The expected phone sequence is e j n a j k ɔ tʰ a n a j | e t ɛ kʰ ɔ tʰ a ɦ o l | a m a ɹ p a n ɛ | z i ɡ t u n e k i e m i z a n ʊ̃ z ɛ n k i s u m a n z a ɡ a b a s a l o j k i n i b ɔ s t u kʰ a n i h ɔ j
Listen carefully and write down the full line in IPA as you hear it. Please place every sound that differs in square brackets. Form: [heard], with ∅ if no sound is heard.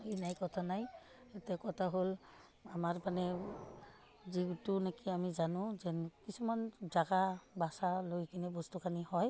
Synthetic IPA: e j n a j k ɔ tʰ a n a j | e t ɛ [k] ɔ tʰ a ɦ o l | a m a ɹ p a n ɛ | z i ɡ t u n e k i [a] m i z a n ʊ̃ z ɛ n k i s u m a n z a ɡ a b a s a l o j k i n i b ɔ s t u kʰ a n i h ɔ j